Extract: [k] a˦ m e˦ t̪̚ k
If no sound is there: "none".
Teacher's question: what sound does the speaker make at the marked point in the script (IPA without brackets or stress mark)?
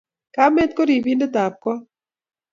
k